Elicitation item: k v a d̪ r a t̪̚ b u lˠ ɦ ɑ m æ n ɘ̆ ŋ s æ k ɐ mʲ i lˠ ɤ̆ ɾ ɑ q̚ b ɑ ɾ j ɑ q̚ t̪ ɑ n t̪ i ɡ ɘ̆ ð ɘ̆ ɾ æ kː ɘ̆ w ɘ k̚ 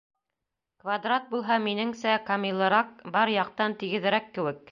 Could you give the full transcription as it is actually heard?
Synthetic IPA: k v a d̪ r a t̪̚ b u lˠ ɦ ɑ m i n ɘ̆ ŋ s æ k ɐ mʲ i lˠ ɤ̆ ɾ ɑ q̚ b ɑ ɾ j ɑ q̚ t̪ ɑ n t̪ i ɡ ɘ̆ ð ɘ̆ ɾ æ kː ɘ̆ w ɘ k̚